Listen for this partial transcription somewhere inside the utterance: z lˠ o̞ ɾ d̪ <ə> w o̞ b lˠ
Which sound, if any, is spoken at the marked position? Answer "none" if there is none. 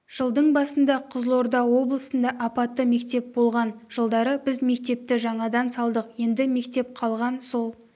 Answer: ɑ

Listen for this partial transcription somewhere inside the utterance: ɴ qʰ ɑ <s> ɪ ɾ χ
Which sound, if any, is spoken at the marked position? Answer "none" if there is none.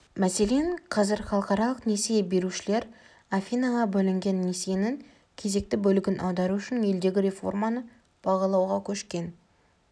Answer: z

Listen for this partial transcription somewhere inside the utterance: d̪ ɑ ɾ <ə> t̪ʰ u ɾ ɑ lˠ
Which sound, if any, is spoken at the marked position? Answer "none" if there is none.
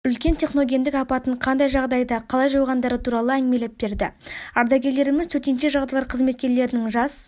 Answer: ə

